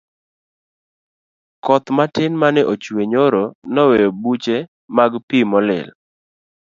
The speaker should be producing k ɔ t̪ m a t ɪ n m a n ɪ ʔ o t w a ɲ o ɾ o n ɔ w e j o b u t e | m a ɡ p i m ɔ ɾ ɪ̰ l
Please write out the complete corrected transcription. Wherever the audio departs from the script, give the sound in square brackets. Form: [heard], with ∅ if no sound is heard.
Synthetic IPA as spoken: k ɔ t̪ m a t ɪ n m a n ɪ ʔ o [t͡ʃ] w [e] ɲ o ɾ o n ɔ w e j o b u [t͡ʃ] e | m a ɡ p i m ɔ [l] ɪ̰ l